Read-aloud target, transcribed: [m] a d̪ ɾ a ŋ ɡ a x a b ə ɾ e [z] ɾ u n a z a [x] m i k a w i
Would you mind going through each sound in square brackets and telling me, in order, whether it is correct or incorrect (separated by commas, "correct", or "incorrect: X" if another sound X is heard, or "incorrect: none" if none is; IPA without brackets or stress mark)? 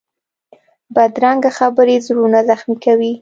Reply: incorrect: b, correct, correct